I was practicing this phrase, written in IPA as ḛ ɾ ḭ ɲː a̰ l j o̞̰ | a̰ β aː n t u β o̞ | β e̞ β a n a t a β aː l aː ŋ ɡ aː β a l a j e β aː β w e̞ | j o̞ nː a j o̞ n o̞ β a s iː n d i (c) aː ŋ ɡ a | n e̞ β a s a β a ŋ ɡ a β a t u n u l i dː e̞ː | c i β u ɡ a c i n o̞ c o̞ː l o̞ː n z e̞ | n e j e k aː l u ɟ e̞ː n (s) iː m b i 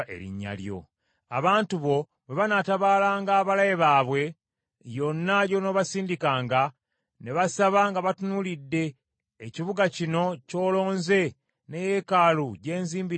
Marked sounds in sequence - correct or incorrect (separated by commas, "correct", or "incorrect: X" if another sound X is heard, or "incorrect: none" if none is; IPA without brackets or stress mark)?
incorrect: k, incorrect: z